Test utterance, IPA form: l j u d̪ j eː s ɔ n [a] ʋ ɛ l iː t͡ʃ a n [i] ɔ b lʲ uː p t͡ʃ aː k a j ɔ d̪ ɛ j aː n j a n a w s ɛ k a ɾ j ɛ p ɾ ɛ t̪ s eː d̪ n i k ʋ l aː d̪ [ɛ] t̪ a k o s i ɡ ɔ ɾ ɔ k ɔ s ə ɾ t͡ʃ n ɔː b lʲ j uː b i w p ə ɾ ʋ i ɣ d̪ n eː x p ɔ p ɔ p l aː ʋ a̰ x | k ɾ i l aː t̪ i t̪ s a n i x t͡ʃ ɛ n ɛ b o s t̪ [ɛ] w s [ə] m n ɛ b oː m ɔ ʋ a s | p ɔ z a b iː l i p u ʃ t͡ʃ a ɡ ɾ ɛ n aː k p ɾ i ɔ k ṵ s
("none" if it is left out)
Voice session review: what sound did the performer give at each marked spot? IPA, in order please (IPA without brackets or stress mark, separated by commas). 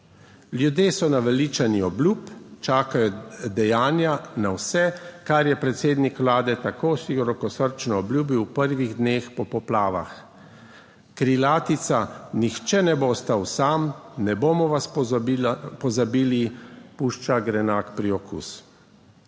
a, i, ɛ, a, a